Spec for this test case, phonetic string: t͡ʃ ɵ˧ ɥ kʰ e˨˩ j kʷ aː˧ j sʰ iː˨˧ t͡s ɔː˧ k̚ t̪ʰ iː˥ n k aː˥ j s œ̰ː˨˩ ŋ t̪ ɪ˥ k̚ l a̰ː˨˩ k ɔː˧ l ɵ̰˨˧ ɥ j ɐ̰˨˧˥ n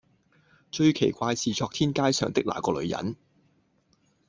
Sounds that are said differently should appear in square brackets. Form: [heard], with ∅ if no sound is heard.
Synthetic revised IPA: t͡ʃ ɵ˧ ɥ kʰ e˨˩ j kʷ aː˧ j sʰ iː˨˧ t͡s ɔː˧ k̚ t̪ʰ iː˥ n k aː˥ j s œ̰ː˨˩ ŋ t̪ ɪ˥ k̚ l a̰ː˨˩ k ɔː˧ l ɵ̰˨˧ ɥ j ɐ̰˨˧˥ n